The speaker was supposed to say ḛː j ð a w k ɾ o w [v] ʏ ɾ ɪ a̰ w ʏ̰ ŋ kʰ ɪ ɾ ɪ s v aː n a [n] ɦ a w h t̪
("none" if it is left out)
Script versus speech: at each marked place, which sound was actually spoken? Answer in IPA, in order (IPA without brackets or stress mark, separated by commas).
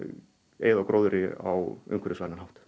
ð, n